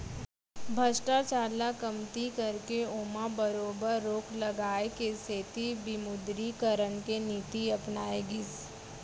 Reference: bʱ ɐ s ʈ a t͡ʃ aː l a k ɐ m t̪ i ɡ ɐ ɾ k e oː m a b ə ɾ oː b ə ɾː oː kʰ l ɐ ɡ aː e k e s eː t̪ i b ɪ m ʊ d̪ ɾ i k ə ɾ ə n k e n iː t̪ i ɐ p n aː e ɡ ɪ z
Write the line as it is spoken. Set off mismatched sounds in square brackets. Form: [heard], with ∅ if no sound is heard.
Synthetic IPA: bʱ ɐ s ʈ a t͡ʃ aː l a k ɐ m t̪ i [k] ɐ ɾ k e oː m a b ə ɾ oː b ə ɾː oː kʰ l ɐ ɡ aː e k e s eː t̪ i b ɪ m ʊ d̪ ɾ i k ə ɾ ə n k e n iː t̪ i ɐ p n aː e ɡ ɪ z